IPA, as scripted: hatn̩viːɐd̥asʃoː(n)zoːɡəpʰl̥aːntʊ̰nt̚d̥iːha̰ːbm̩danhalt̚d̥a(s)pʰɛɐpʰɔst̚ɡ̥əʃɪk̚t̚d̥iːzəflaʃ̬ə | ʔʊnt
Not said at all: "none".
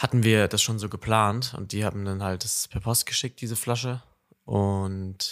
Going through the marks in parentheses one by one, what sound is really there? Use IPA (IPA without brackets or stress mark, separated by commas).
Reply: n, s